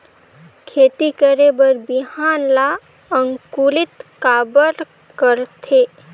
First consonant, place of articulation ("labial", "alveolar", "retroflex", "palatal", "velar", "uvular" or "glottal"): velar